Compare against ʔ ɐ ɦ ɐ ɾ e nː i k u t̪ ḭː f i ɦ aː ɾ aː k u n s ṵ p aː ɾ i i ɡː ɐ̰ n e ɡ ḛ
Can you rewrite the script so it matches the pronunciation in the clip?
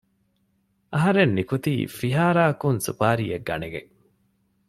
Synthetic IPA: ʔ ɐ ɦ ɐ ɾ e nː i k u t̪ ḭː f i ɦ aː ɾ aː k u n s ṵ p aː ɾ i e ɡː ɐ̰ n e ɡ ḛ